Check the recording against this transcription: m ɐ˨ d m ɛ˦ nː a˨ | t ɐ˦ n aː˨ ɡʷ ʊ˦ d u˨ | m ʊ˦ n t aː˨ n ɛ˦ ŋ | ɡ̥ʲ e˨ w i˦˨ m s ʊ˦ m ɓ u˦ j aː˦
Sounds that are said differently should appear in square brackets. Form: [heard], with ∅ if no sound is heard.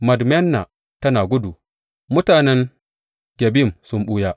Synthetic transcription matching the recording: m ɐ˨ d m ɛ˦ nː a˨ | t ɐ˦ n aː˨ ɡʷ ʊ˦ d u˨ | m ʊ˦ [∅] t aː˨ n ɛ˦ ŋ | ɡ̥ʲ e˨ [b] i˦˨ m s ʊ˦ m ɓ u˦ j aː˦